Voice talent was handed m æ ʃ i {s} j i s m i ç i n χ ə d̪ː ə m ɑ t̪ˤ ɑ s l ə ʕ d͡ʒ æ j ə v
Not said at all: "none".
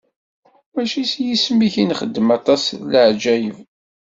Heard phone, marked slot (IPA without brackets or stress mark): s